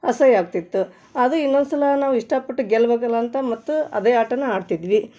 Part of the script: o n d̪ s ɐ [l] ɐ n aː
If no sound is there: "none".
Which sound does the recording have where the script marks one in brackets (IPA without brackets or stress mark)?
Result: l